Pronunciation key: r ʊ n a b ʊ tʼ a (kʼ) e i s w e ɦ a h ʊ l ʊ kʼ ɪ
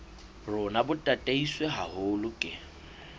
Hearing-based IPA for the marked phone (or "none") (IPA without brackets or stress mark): tʼ